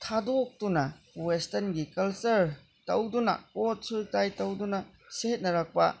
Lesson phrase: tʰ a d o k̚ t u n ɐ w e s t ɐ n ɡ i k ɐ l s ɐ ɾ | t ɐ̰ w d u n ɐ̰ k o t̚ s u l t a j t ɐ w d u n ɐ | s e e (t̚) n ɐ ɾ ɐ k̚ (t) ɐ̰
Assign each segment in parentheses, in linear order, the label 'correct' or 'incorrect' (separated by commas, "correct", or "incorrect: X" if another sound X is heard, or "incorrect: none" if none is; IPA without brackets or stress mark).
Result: correct, incorrect: p